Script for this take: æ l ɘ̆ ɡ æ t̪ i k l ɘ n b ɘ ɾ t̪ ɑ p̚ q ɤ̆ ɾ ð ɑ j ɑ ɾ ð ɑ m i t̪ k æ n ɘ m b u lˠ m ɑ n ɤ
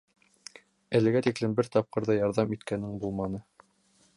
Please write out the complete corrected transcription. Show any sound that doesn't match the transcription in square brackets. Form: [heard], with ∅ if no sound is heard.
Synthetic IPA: æ l ɘ̆ ɡ æ t̪ i k l ɘ [m] b ɘ ɾ t̪ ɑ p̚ q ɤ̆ ɾ ð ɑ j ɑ ɾ ð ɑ m i t̪ k æ n ɘ [ŋ] b u lˠ m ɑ n ɤ